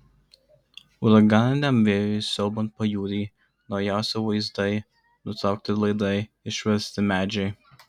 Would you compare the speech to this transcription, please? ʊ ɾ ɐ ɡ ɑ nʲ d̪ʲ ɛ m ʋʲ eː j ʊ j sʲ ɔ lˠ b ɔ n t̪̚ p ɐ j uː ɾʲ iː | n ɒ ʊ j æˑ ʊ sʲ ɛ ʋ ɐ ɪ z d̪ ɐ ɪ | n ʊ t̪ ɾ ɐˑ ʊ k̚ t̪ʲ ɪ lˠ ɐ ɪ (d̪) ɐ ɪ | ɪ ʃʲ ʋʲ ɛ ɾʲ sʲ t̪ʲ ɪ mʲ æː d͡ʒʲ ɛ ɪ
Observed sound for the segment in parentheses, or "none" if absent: d̪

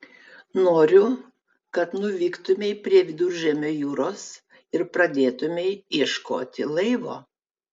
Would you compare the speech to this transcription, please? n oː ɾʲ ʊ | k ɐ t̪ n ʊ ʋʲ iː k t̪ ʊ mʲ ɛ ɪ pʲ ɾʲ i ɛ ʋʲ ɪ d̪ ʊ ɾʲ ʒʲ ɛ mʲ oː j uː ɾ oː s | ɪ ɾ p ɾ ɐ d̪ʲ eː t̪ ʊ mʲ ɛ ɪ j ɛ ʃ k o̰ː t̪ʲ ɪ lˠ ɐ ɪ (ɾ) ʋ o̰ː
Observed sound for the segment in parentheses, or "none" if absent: none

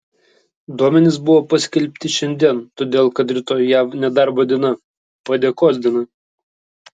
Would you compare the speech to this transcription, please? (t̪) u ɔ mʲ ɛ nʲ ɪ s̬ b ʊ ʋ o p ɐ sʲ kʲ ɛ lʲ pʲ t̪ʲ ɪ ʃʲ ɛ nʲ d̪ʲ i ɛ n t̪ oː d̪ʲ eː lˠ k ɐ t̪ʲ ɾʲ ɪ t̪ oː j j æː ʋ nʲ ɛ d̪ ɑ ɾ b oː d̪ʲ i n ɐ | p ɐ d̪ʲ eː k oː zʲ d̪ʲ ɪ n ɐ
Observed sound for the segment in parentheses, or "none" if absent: d̪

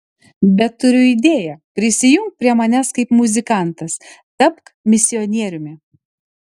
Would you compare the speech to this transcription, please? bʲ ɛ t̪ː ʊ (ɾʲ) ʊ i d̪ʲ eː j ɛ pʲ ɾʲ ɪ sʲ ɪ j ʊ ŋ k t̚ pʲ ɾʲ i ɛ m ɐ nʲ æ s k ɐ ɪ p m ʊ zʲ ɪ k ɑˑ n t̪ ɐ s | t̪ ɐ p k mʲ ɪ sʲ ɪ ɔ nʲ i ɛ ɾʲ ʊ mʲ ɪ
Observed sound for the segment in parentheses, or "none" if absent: ɾʲ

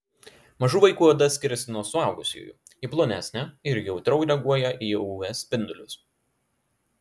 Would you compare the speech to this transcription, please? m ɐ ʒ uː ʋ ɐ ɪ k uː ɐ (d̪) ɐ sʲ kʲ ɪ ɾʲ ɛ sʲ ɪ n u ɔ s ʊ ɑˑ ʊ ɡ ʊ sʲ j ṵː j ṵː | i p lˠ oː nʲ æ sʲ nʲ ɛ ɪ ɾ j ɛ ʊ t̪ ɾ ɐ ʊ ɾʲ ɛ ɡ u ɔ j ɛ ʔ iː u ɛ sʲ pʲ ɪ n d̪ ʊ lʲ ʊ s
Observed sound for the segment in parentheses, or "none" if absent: d̪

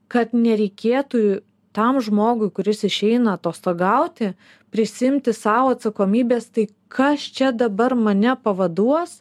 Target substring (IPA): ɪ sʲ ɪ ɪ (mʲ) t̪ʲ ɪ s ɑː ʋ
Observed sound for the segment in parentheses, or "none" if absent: mʲ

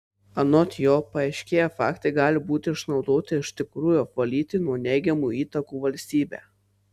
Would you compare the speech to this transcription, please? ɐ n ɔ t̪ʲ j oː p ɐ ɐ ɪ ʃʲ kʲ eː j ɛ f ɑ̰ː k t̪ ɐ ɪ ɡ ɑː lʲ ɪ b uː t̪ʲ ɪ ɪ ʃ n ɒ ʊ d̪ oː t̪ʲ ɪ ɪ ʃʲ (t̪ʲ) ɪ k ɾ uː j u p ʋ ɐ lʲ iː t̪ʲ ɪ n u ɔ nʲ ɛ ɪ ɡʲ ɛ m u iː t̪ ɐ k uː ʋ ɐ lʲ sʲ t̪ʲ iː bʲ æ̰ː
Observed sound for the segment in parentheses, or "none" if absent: t̪ʲ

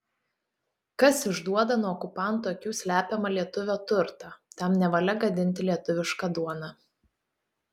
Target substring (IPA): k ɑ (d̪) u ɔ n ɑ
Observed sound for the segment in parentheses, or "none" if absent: d̪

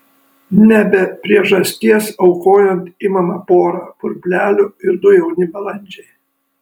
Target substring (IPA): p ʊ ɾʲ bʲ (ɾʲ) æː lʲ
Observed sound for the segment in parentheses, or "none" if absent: lʲ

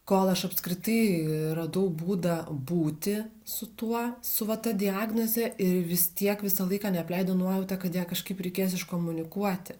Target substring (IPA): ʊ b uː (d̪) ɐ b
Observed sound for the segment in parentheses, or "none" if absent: d̪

